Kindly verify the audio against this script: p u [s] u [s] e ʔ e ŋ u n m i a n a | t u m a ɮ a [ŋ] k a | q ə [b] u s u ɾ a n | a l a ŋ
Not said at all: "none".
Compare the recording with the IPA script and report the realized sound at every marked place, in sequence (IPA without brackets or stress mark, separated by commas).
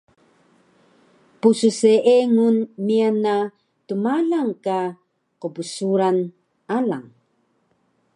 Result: s, s, ŋ, b